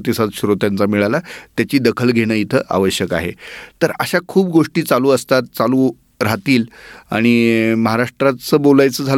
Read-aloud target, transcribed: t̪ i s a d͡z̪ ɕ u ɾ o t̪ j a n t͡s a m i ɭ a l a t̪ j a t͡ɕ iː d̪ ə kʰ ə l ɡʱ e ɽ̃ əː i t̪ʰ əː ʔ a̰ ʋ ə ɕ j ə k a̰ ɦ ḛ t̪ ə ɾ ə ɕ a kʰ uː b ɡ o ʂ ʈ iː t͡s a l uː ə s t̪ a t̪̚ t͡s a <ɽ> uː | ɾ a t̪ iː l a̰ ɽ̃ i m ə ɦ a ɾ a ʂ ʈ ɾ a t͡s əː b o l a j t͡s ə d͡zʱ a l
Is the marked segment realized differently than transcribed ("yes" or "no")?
yes